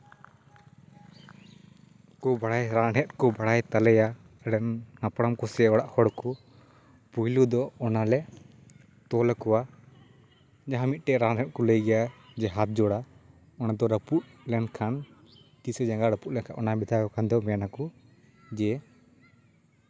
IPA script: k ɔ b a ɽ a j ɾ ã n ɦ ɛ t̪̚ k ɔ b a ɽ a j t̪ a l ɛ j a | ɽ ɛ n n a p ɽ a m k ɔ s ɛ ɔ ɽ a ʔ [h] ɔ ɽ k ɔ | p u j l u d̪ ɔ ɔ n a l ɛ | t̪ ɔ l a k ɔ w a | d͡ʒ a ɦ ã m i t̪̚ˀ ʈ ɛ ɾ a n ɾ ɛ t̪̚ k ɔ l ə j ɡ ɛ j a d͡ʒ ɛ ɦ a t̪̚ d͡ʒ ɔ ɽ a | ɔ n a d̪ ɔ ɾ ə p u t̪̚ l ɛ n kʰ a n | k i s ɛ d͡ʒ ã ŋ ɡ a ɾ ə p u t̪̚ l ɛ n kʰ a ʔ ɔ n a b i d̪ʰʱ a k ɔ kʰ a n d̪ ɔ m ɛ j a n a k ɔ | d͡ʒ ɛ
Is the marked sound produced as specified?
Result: yes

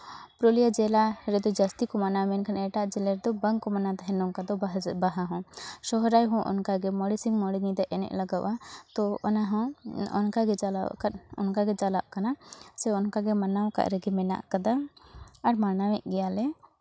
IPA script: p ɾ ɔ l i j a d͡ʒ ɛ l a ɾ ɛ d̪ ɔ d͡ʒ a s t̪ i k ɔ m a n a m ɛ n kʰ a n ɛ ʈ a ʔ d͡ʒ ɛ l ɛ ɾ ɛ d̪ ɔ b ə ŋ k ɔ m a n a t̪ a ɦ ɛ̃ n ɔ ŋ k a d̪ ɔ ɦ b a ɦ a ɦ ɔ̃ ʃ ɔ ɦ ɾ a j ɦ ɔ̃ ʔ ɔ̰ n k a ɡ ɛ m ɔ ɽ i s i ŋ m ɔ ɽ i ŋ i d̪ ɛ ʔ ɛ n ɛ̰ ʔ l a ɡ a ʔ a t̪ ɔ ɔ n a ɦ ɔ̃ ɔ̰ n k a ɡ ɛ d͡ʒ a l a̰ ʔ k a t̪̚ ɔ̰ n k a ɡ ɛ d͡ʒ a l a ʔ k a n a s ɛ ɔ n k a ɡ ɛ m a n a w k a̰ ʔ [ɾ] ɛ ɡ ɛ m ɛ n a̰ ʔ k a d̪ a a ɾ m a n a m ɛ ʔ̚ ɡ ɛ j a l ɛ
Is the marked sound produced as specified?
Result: yes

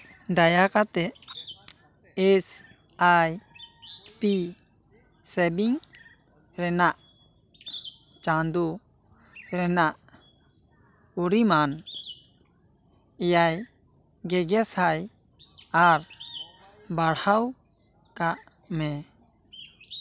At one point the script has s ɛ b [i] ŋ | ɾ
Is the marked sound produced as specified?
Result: yes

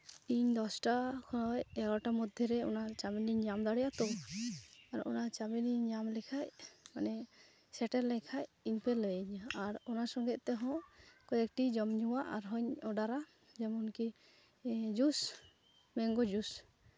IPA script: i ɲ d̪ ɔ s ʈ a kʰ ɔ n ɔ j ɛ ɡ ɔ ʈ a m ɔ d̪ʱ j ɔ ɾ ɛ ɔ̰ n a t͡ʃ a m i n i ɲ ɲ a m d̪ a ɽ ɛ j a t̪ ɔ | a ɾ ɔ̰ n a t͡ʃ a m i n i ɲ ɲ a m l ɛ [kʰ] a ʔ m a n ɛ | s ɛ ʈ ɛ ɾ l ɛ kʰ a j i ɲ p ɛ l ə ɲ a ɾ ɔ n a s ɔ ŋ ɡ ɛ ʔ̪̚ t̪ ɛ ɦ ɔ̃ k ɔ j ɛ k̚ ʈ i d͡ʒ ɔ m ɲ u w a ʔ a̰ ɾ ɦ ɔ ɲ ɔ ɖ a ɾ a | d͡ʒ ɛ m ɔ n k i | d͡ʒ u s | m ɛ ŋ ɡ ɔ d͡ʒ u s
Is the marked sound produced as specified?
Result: yes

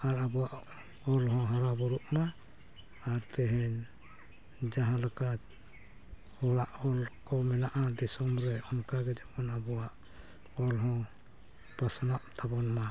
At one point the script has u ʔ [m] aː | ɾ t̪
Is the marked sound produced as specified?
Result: yes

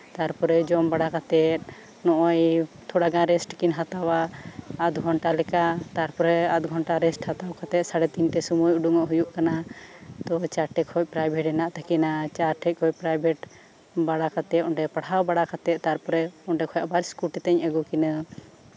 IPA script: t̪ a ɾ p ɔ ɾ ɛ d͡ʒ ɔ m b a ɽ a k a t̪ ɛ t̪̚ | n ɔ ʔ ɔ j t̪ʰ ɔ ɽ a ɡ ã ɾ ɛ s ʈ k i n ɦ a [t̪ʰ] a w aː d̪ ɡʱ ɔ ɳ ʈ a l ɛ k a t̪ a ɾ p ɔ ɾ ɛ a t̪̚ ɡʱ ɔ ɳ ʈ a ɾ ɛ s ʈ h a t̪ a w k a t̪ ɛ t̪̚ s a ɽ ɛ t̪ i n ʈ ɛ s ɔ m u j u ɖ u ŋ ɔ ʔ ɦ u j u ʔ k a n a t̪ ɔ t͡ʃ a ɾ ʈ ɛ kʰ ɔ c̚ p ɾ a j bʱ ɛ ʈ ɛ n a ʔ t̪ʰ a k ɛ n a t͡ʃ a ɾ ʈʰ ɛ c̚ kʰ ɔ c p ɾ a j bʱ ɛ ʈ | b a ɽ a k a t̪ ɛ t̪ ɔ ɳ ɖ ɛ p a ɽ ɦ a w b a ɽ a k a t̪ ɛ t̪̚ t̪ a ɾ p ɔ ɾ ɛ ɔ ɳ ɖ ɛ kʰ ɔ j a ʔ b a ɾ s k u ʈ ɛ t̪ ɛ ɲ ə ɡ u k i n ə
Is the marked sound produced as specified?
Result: no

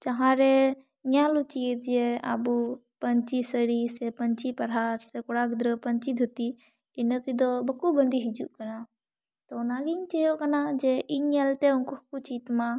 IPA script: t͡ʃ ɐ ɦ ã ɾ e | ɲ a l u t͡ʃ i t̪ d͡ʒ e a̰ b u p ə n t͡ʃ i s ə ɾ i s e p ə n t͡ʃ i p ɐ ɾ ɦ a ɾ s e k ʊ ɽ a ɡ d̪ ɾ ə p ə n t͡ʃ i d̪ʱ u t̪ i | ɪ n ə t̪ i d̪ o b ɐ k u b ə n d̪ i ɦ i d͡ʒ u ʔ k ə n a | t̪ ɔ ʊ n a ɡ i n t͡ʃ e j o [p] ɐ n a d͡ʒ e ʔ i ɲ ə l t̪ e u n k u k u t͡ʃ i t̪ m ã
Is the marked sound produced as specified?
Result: no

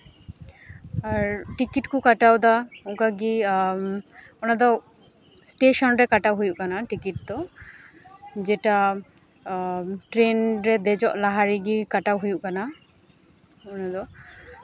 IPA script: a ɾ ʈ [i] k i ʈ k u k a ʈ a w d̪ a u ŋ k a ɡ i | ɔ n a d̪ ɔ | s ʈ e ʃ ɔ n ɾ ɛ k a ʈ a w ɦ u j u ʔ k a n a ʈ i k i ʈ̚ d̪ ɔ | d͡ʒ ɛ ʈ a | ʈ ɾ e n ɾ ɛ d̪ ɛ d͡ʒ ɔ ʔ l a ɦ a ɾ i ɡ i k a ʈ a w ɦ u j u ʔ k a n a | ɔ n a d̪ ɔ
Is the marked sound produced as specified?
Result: yes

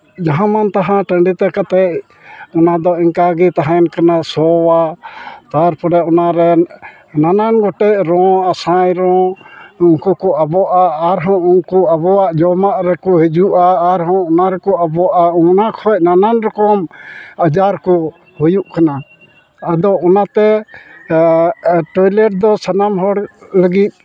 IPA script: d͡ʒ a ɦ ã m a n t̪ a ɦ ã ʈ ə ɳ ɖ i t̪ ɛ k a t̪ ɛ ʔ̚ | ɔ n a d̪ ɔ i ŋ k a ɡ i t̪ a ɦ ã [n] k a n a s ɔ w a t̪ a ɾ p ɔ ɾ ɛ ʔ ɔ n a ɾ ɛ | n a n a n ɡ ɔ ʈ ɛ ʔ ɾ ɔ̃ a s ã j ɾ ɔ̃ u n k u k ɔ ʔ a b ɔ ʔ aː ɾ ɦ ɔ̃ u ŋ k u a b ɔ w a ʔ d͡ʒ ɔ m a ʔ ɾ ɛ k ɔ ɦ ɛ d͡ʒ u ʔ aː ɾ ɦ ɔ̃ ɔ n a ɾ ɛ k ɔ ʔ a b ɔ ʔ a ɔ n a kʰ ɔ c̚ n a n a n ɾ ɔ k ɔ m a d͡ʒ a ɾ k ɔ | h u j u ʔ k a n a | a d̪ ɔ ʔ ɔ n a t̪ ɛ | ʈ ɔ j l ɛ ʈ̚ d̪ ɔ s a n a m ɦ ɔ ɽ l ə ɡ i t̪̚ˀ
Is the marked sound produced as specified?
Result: yes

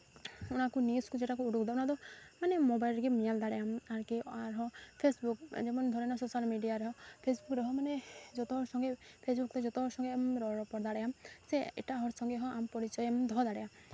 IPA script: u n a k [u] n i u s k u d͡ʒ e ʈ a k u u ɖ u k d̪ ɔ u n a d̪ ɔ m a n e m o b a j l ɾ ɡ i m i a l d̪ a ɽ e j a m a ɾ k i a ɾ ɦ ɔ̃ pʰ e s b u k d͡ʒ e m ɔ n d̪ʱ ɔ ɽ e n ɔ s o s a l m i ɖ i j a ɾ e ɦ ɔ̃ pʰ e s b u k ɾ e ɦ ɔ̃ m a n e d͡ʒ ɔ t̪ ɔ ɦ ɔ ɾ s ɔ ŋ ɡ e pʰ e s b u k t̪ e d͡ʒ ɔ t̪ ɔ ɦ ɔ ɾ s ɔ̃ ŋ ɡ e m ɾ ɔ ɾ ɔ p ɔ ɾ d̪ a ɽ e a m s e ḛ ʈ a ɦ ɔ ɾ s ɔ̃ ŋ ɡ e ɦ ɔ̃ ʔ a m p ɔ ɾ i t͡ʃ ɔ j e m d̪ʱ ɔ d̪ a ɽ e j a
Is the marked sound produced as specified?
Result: yes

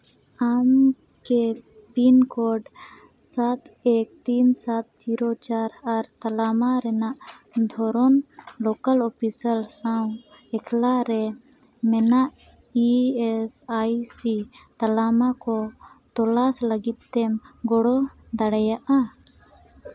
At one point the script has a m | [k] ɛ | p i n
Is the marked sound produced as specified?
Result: yes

